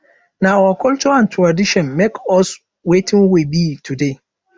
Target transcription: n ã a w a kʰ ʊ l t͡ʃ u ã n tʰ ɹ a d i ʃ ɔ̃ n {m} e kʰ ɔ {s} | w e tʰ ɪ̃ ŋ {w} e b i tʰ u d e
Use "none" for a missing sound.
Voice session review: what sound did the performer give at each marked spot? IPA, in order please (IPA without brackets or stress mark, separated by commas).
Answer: m, s, w